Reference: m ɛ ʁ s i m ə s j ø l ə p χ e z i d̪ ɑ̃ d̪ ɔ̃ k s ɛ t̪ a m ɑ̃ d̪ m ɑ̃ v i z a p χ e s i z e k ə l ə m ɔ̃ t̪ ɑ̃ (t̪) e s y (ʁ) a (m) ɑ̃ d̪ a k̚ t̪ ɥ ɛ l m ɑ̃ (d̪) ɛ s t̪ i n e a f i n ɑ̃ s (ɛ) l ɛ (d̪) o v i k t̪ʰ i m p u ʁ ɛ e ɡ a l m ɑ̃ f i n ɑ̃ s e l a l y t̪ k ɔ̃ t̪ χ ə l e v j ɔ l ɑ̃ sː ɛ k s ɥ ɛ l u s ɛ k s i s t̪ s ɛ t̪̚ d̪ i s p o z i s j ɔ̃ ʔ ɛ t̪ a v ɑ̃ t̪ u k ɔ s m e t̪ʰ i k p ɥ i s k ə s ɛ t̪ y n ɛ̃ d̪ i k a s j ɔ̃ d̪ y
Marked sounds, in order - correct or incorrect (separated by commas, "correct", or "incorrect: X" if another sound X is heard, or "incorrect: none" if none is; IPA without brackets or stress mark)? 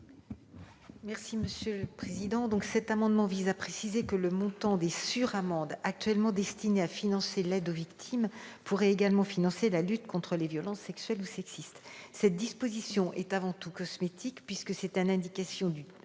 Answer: incorrect: d̪, correct, correct, correct, incorrect: e, correct